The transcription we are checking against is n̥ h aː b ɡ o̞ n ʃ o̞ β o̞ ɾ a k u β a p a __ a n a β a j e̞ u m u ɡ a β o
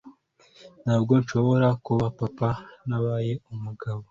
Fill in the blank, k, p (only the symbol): p